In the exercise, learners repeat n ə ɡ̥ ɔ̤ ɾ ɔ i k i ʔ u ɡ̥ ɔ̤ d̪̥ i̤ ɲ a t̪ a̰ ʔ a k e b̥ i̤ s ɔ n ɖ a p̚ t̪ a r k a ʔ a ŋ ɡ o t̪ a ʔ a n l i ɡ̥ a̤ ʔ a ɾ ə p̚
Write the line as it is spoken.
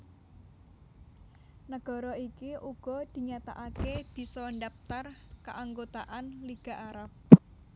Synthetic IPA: n ə ɡ̥ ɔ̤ ɾ ɔ i k i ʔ u ɡ̥ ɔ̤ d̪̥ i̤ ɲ a t̪ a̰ ʔ a k e b̥ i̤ s ɔ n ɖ a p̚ t̪ a r k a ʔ a ŋ ɡ o t̪ a ʔ a n l i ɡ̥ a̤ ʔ a ɾ a p̚